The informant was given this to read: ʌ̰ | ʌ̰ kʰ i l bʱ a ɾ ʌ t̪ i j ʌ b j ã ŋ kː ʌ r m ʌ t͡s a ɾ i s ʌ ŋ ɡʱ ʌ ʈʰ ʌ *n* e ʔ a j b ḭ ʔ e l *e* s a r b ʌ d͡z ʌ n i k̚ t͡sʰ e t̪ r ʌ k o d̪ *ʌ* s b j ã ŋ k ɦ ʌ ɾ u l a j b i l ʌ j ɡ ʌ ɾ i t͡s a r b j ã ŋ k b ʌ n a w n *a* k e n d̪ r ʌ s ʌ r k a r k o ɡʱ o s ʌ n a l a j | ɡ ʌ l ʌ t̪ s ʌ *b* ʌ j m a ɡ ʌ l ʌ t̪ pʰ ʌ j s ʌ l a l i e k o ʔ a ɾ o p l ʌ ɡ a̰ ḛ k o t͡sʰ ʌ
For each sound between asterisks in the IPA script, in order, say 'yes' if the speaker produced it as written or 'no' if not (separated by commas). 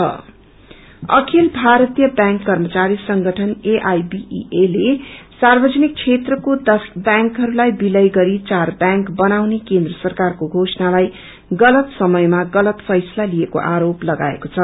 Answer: yes, yes, yes, no, no